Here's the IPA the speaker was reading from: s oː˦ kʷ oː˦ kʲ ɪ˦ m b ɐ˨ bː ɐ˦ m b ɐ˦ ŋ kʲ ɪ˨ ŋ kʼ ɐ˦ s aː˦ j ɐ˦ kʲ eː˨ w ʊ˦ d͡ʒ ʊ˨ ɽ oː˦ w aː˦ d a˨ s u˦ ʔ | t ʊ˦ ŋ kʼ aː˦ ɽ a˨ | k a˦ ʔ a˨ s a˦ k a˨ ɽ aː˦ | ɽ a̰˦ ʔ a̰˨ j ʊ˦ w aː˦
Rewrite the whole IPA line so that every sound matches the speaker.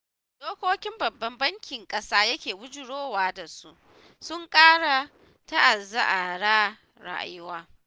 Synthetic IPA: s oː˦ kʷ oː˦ kʲ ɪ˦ m b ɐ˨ bː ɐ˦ m b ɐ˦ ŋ kʲ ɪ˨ ŋ kʼ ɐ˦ s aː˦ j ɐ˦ kʲ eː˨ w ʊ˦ d͡ʒ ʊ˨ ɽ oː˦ w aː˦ d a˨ s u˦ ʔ | s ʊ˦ ŋ kʼ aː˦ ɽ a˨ | t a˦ ʔ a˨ z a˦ ʔ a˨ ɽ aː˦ | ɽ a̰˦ ʔ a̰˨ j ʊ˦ w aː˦